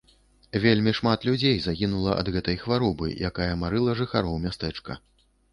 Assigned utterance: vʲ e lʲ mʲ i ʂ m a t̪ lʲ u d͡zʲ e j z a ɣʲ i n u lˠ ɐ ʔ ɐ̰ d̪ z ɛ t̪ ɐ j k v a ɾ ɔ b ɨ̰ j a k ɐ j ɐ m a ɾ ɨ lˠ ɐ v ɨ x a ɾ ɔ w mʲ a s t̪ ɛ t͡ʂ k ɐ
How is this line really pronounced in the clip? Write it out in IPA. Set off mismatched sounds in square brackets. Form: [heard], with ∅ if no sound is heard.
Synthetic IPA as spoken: vʲ e lʲ mʲ i ʂ m a t̪ lʲ u d͡zʲ e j z a ɣʲ i n u lˠ ɐ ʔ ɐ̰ d̪ [ɣ] ɛ t̪ ɐ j [x] v a ɾ ɔ b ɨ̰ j a k [a] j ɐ m a ɾ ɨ lˠ ɐ [ʐ] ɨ x a ɾ ɔ w mʲ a s t̪ ɛ t͡ʂ k ɐ